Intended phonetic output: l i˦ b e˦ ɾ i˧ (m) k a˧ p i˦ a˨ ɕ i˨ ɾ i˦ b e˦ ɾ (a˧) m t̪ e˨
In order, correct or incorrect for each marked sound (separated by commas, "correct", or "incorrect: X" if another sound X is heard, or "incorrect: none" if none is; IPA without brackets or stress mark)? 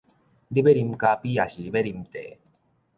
correct, incorrect: i˧